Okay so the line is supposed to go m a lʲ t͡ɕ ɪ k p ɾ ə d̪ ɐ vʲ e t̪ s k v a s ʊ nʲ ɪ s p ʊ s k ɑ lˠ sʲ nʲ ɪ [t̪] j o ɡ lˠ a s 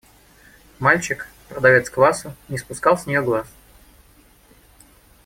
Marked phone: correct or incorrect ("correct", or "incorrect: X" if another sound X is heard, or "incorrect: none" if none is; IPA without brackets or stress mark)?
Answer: incorrect: none